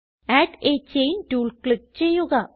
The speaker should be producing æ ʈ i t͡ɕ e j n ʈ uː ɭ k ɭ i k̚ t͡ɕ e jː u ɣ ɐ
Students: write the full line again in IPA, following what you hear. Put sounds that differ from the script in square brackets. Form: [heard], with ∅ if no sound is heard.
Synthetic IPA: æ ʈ [e] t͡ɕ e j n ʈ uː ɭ k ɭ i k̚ t͡ɕ e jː u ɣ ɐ